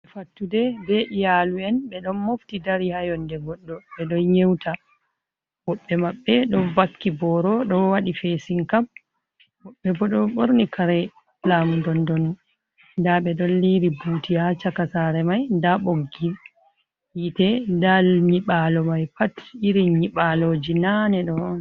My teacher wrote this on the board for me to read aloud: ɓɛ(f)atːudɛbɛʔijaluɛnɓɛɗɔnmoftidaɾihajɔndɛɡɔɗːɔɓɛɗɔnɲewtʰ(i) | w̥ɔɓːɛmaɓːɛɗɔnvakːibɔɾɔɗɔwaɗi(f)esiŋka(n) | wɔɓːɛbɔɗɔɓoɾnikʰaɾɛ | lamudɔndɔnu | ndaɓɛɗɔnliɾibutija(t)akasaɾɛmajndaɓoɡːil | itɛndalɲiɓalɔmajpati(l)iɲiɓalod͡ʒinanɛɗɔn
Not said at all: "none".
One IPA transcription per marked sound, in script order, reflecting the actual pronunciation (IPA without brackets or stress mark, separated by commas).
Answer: f, a, f, m, t͡ʃ, ɾ